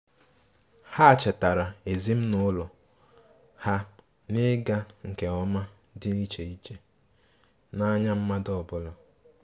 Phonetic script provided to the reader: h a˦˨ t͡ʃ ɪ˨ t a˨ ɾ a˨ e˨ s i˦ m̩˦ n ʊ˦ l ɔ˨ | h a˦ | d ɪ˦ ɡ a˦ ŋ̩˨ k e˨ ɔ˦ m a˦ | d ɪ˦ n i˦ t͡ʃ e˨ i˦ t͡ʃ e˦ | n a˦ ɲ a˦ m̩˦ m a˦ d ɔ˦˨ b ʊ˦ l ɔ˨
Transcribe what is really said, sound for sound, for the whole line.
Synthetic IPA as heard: h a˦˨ t͡ʃ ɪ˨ t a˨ ɾ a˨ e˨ z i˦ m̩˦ n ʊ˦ l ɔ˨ | h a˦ | n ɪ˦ ɡ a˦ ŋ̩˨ k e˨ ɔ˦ m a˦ | d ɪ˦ n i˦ t͡ʃ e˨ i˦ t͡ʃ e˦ | n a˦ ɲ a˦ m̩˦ m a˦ d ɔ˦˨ b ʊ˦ l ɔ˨